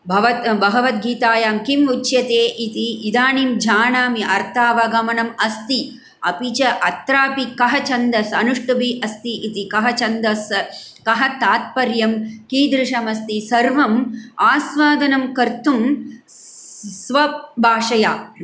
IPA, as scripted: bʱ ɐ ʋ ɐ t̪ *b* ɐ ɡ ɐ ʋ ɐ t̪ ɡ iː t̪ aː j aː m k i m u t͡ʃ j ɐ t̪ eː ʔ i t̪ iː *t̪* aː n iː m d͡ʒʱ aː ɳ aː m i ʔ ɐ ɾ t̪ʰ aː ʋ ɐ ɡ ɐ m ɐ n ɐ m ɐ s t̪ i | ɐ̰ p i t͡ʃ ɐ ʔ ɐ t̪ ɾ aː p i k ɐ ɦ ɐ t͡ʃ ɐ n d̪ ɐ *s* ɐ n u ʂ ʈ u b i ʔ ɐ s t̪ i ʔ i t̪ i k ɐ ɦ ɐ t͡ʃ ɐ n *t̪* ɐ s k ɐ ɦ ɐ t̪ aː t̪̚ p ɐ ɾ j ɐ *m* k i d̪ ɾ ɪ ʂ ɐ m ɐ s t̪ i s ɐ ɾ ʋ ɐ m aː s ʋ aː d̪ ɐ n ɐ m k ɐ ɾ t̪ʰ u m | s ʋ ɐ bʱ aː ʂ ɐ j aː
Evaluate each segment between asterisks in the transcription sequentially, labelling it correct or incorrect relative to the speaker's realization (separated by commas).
correct, incorrect, correct, incorrect, correct